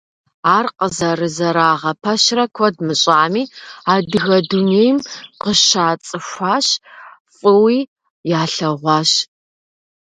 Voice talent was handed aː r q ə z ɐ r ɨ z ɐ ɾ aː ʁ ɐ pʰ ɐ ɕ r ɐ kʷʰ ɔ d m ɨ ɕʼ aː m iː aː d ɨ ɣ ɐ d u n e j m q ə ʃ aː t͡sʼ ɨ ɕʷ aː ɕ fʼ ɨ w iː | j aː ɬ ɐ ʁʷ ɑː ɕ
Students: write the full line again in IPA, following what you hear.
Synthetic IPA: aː r q ə z ɐ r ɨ z ɐ ɾ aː ʁ ɐ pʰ ɐ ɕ r ɐ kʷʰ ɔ d m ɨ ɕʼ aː m iː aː d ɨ ɣ ɐ d u n e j m q ə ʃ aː t͡sʼ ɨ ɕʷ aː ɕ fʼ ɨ w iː | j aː ɬ ɐ ʁʷ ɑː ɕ